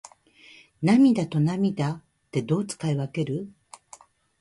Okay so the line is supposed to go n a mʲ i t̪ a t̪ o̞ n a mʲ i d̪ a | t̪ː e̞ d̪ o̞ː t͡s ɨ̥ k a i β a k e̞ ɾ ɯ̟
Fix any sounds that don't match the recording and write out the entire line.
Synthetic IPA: n a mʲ i d̪ a t̪ o̞ n a mʲ i d̪ a | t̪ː e̞ d̪ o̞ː t͡s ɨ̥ k a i β a k e̞ ɾ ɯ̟